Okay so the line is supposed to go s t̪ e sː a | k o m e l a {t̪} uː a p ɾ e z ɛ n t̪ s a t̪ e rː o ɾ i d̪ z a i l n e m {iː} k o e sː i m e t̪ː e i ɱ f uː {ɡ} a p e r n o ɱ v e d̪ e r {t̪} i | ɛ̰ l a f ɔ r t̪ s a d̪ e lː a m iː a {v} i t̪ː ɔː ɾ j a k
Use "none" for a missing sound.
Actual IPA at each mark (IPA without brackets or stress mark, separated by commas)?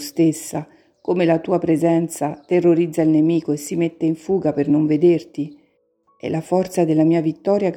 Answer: t̪, iː, ɡ, t̪, v